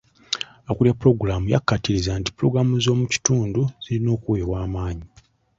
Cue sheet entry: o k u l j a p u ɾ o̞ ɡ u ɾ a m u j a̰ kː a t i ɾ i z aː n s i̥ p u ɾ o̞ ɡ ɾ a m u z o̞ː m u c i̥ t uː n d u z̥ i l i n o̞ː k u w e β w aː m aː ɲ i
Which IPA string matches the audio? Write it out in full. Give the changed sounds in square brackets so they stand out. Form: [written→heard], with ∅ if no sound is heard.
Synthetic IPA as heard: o k u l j a p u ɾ o̞ ɡ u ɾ a m u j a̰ kː a t i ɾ i z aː n [s→t] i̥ p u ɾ o̞ ɡ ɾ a m u z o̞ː m u c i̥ t uː n d u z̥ i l i n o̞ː k u w e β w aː m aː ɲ i